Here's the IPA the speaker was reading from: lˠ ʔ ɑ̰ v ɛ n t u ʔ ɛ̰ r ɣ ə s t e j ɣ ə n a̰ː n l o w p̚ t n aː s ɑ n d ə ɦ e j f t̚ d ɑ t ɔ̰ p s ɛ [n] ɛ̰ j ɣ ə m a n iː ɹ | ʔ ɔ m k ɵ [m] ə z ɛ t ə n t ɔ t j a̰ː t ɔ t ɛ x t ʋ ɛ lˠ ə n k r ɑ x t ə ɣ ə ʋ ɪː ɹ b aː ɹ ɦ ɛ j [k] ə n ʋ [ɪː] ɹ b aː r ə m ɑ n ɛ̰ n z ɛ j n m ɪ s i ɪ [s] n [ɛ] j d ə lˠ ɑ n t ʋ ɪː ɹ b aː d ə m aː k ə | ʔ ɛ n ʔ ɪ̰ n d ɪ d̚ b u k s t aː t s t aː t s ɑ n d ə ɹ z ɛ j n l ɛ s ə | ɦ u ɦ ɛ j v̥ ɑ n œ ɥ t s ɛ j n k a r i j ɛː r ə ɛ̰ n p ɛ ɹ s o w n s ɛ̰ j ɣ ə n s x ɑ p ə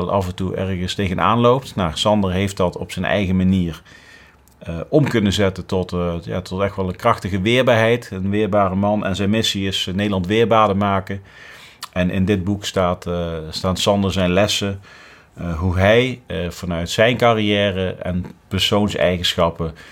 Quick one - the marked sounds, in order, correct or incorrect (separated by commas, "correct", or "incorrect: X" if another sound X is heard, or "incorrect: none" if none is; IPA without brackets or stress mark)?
correct, incorrect: n, incorrect: t, correct, correct, incorrect: e